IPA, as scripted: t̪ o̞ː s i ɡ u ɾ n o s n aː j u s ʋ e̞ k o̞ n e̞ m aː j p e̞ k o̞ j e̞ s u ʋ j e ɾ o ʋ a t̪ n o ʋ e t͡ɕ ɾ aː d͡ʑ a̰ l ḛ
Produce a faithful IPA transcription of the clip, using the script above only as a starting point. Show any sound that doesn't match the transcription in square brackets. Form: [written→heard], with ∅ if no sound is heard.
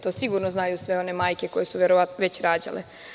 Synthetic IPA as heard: t̪ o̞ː s i ɡ u ɾ n o [s→z] n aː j u s ʋ e̞ [k→∅] o̞ n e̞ m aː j [p→k] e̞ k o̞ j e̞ s u ʋ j e ɾ o ʋ a t̪ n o ʋ e t͡ɕ ɾ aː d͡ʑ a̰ l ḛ